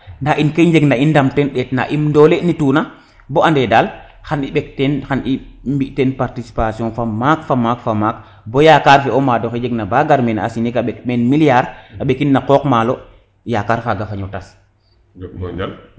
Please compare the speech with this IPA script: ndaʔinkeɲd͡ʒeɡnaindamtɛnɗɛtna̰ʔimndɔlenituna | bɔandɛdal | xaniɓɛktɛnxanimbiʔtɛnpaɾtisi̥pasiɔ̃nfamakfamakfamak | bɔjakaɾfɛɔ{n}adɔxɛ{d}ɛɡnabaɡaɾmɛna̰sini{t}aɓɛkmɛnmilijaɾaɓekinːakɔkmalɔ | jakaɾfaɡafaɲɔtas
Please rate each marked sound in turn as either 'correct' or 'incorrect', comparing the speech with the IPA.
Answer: incorrect, incorrect, incorrect

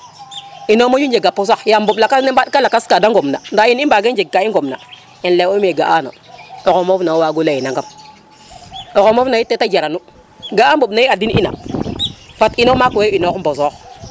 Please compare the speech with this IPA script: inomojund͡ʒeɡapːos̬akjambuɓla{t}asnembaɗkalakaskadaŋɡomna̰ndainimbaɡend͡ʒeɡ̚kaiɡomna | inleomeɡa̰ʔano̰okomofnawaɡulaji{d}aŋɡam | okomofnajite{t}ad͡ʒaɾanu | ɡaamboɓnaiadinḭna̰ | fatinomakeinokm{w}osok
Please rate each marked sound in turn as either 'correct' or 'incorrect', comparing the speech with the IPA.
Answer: incorrect, incorrect, correct, incorrect

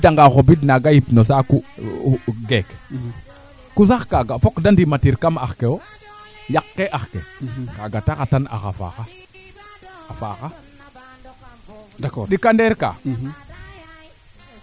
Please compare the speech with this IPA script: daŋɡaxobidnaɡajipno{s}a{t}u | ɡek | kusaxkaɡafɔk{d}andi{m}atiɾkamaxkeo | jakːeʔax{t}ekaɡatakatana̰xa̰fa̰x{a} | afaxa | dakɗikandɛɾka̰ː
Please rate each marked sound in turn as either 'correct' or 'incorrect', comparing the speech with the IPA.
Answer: correct, incorrect, correct, correct, incorrect, correct

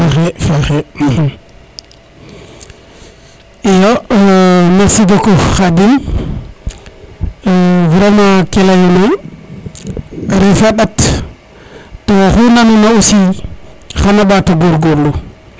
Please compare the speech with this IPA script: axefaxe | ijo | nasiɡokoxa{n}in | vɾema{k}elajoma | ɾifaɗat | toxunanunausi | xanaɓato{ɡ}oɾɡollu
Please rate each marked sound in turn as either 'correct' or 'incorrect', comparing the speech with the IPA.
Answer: incorrect, correct, correct

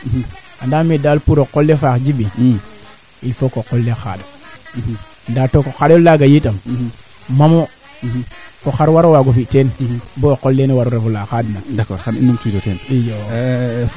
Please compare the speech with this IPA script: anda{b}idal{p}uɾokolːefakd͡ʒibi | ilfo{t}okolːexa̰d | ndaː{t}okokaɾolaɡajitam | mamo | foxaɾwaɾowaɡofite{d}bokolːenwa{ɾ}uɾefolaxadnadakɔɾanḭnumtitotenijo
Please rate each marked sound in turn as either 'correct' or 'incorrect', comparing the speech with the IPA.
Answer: incorrect, correct, incorrect, correct, incorrect, correct

